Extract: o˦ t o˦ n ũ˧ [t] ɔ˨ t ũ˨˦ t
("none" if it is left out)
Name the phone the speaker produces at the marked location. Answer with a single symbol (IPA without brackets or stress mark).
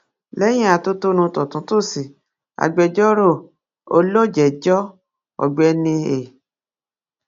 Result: t